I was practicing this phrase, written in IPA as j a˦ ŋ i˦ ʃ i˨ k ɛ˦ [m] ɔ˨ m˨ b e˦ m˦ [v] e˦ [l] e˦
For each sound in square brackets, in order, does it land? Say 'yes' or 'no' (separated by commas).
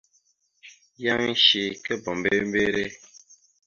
no, no, no